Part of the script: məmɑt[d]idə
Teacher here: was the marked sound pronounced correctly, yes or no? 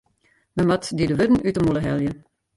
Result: yes